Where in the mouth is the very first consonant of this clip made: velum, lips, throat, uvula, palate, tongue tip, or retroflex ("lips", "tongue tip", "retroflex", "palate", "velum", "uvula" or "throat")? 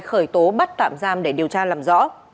velum